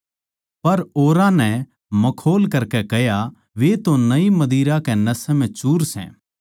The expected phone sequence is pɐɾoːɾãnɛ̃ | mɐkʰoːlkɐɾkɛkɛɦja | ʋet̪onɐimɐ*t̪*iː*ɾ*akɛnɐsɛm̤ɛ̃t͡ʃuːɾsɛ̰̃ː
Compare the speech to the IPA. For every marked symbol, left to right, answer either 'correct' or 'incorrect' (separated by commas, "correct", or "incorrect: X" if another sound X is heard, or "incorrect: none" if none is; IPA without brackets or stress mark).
incorrect: d̪, correct